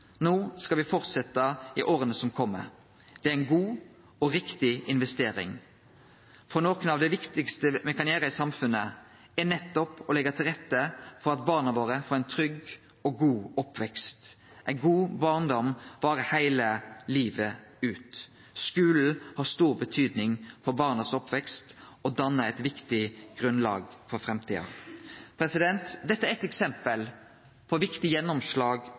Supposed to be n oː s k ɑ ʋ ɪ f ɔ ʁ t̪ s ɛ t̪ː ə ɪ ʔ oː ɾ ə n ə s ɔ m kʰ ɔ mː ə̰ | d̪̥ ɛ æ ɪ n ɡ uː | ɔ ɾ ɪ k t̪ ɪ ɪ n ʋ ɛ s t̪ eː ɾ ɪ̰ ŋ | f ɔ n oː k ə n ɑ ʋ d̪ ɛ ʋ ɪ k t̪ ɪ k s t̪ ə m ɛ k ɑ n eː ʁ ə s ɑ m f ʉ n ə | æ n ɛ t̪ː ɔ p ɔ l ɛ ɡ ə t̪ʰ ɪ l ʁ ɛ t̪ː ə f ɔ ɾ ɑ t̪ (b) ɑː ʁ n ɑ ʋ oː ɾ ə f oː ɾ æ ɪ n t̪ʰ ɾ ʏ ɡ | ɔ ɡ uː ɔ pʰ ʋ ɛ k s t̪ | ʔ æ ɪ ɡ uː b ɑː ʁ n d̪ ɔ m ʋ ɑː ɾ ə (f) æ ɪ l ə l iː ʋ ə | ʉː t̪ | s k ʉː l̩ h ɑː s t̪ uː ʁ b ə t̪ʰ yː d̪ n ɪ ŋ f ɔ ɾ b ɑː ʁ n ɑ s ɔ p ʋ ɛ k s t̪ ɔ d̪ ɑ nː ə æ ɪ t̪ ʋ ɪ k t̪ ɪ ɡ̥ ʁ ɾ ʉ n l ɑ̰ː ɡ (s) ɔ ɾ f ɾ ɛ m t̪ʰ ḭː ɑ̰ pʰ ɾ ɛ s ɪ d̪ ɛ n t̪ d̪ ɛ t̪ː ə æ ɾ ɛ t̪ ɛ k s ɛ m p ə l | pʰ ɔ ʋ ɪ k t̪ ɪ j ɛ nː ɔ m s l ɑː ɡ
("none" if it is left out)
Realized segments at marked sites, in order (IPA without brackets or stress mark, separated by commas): b, h, f